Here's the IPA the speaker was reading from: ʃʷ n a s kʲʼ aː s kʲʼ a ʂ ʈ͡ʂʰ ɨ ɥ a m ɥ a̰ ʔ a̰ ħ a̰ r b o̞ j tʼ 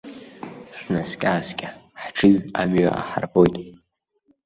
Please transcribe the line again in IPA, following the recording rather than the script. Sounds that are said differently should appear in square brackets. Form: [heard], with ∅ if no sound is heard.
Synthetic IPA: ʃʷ n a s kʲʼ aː s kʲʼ a [ħ] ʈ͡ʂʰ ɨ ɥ a m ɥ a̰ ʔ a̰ ħ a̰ r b o̞ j tʼ